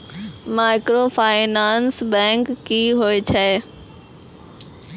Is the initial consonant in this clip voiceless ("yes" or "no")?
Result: no